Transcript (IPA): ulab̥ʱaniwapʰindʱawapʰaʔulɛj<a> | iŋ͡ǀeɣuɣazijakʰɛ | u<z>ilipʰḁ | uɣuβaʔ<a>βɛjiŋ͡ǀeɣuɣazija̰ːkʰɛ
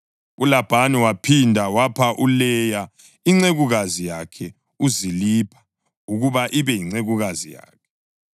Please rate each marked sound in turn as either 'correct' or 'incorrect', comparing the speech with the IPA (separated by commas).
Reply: correct, correct, incorrect